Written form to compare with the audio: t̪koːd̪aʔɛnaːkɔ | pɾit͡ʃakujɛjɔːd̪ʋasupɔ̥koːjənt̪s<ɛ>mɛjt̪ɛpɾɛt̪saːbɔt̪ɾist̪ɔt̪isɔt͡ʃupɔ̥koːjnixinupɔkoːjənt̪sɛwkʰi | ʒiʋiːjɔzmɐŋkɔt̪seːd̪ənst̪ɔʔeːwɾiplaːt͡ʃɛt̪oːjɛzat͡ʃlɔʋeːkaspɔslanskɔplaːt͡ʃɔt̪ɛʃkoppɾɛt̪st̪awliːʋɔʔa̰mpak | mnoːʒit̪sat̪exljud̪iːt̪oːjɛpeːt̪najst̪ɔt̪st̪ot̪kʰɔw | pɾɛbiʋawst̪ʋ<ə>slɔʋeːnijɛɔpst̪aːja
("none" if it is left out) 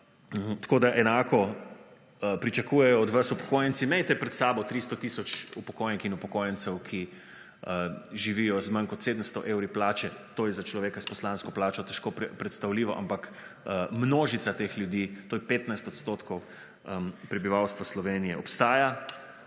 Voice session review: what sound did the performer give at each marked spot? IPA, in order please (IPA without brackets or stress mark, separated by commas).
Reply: i, a